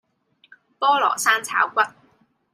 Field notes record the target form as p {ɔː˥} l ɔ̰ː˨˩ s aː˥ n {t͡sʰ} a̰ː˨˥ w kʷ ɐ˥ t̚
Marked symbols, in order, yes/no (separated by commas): yes, yes